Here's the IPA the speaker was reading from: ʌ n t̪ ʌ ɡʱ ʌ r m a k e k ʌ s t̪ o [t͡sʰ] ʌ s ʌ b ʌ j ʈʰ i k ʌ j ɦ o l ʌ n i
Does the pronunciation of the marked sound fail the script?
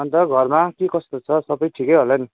no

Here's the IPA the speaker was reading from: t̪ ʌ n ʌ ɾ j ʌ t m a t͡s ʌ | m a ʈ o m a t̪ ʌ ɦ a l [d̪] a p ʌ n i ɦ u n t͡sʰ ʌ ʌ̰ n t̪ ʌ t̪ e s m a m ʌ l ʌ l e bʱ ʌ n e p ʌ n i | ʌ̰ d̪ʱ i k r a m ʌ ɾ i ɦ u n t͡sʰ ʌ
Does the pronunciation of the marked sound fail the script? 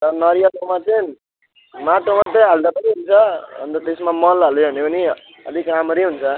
no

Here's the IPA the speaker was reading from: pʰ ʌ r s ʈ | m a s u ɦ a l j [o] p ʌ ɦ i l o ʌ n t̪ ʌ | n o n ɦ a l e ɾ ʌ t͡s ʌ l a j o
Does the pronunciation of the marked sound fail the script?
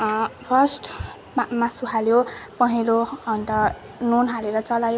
no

